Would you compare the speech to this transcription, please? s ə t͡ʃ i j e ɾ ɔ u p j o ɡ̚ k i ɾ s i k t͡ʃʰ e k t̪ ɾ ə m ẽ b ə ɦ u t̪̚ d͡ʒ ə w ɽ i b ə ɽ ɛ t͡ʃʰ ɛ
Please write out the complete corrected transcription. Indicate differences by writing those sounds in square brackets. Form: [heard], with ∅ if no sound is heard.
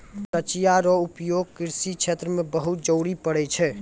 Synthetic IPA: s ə t͡ʃ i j [a] ɾ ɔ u p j o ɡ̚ k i ɾ s i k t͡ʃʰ e [∅] t̪ ɾ ə m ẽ b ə ɦ u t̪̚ d͡ʒ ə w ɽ i [p] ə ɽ ɛ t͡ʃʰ ɛ